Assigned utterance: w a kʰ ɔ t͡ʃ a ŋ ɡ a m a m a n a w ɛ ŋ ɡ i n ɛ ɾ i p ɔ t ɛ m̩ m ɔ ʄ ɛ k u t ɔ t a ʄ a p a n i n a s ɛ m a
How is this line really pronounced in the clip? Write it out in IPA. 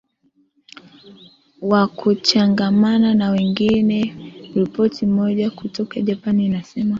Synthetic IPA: w a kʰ u t͡ʃ a ŋ ɡ a m a n a n a w ɛ ŋ ɡ i n ɛ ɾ i p ɔ t i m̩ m ɔ ʄ a k u t ɔ k a ʄ a p a n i n a s ɛ m a